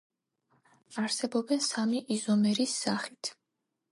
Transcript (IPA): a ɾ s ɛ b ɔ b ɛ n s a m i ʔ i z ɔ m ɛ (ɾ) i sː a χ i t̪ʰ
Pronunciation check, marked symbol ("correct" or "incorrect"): correct